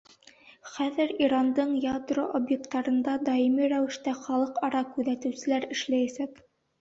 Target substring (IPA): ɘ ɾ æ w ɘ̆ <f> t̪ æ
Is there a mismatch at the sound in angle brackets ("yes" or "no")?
yes